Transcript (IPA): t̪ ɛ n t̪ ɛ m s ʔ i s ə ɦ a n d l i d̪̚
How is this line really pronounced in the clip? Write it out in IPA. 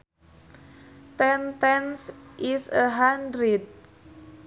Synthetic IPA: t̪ ɛ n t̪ ɛ n s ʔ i s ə ɦ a n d ɾ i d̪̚